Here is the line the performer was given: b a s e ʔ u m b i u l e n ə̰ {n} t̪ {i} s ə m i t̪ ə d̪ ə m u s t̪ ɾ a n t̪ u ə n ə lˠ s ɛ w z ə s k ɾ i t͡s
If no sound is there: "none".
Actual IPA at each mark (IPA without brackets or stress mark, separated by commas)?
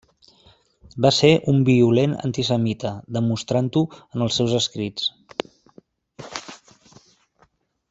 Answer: n, i